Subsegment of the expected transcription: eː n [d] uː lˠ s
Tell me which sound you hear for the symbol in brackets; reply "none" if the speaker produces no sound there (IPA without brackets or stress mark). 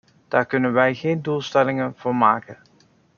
d